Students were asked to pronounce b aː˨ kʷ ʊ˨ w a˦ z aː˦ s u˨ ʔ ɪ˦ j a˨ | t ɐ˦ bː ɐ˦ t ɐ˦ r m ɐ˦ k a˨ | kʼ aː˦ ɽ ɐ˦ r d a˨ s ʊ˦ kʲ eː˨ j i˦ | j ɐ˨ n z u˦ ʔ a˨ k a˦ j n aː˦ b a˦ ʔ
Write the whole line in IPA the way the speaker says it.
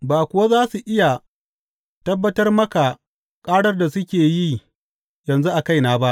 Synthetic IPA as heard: b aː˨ kʷ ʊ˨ w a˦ z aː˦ s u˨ ʔ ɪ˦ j a˨ | t ɐ˦ bː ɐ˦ t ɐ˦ r m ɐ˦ k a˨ | kʼ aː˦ ɽ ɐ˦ r d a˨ s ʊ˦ kʲ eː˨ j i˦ | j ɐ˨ n z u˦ ʔ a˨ k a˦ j n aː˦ b a˦ ʔ